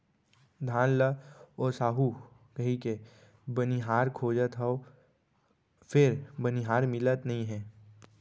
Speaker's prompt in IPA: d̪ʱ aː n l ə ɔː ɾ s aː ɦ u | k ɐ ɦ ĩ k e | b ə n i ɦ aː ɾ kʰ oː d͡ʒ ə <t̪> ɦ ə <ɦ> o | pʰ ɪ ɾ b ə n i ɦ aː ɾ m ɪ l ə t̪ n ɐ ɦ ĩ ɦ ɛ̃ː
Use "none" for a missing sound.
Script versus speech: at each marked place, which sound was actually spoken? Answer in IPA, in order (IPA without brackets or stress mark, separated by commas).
t̪, none